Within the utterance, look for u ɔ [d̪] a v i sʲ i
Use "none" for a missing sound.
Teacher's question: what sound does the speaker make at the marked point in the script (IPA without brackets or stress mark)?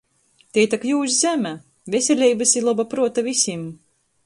t̪